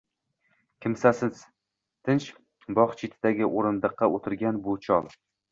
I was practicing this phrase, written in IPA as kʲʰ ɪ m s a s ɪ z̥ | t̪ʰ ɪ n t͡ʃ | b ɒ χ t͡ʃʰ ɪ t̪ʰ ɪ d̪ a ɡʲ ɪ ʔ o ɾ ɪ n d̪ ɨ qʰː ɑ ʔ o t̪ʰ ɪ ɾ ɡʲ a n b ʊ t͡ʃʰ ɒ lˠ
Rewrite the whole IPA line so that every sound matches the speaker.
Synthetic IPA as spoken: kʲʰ ɪ m s a s ɪ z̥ | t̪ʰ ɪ n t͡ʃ | b ɒ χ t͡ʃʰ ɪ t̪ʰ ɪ d̪ a ɡʲ ɪ ʔ o ɾ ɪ n d̪ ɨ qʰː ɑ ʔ o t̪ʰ ɪ ɾ ɡʲ a n b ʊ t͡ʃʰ ɒ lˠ